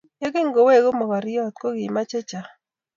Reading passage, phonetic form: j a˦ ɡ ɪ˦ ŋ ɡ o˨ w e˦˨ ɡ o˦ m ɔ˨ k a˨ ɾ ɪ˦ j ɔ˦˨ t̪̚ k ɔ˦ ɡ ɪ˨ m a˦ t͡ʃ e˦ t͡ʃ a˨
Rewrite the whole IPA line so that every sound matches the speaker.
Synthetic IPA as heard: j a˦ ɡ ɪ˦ ŋ ɡ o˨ w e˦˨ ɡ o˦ m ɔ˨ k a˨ ɾ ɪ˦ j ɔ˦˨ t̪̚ k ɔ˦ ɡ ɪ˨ m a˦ t͡ʃ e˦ t͡ʃ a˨